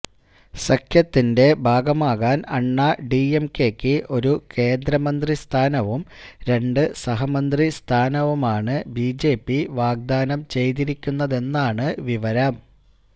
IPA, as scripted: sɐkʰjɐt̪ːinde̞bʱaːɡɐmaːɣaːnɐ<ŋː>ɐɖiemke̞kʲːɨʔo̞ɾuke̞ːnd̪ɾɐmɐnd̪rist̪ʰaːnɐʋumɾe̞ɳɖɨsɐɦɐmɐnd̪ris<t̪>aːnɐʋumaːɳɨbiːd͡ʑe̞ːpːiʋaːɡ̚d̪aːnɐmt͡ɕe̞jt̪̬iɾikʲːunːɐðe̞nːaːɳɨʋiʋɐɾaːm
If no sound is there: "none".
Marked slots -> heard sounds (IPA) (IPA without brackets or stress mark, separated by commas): ɳː, t̪ʰ